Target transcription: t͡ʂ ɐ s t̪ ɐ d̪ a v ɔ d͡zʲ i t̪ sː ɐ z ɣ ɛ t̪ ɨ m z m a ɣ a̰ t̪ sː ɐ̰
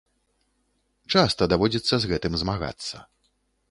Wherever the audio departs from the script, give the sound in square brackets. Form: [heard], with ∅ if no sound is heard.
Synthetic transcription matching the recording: t͡ʂ [a] s t̪ ɐ d̪ a v ɔ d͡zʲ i t̪ sː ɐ z ɣ ɛ t̪ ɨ m z m a ɣ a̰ t̪ sː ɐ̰